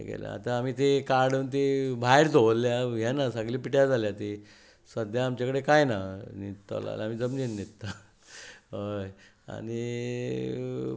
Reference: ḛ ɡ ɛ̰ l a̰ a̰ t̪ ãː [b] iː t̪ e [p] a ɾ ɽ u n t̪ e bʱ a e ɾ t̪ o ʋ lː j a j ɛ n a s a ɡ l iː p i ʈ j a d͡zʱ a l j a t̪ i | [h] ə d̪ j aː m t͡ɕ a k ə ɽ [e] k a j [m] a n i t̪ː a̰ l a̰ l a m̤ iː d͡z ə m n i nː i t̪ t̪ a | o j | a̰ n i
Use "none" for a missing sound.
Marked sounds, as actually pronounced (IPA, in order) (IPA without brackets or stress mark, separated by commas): m, k, s, e, n